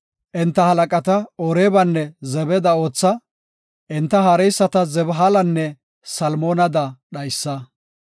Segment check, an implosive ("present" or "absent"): present